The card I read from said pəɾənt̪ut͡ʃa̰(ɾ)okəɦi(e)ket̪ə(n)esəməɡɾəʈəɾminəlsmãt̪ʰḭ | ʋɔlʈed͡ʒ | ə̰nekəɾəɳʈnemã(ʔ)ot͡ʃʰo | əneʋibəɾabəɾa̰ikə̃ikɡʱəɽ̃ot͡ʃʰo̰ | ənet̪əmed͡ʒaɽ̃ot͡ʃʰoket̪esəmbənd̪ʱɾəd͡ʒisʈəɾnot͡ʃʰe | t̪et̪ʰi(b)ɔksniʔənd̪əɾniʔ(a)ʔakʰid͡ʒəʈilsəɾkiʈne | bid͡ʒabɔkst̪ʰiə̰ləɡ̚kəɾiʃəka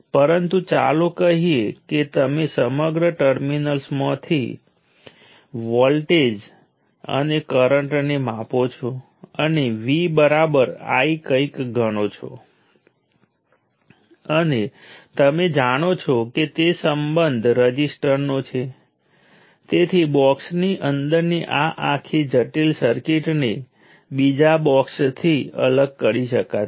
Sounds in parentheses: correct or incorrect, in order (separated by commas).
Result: incorrect, correct, incorrect, incorrect, correct, correct